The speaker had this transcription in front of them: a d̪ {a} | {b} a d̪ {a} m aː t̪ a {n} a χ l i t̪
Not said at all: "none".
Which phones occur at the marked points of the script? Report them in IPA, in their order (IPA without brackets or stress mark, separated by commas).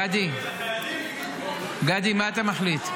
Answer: i, ɡ, i, m